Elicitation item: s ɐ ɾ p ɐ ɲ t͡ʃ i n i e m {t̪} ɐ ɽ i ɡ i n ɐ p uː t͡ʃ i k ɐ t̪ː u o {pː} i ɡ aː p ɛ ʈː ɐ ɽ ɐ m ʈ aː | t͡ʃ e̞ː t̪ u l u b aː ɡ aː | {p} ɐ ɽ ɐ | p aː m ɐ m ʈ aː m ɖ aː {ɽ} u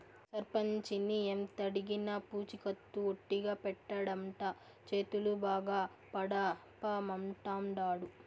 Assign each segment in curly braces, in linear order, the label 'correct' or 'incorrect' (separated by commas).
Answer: correct, incorrect, correct, correct